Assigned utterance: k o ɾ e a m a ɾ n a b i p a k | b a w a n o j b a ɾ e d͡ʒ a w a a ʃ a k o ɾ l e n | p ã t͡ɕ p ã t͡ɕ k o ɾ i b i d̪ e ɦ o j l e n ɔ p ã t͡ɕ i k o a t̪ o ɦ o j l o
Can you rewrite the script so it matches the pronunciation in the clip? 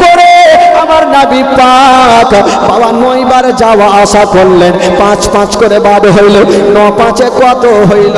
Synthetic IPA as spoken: k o ɾ e a m a ɾ n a b i p a k | b a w a n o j b a ɾ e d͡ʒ a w a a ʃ a k o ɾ l e n | p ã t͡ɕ p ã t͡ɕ k o ɾ e b a d̪ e ɦ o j l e n ɔ p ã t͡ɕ e k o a t̪ o ɦ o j l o